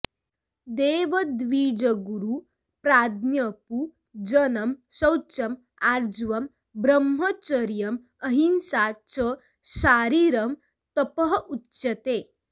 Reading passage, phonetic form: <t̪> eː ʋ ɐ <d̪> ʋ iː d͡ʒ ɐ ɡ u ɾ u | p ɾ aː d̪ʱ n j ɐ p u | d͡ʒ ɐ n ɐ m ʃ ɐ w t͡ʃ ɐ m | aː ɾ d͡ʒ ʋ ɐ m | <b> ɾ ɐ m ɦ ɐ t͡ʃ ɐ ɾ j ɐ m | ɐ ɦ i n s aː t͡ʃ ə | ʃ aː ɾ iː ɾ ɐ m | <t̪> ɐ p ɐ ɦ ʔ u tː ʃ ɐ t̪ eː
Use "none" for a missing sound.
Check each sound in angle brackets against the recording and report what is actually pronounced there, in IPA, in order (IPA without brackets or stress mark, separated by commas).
d̪, d̪, b, t̪